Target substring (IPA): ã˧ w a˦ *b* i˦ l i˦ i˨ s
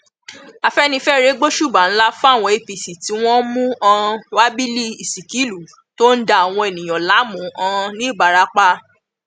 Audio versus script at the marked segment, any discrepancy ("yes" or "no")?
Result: no